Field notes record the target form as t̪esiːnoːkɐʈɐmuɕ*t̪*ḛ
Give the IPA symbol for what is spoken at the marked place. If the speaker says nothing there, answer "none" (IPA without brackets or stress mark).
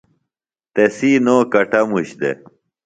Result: d̪